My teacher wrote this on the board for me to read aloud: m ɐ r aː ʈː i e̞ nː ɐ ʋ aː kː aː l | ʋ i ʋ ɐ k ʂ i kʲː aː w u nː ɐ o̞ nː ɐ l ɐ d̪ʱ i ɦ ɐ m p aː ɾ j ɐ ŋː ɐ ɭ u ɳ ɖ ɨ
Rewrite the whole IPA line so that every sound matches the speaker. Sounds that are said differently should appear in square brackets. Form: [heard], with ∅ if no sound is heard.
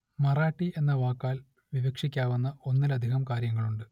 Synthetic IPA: m ɐ r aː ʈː i e̞ nː ɐ ʋ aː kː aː l | ʋ i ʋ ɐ k ʂ i kʲː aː [ʋ] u nː ɐ o̞ nː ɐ l ɐ d̪ʱ i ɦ ɐ m [k] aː ɾ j ɐ ŋː ɐ ɭ u ɳ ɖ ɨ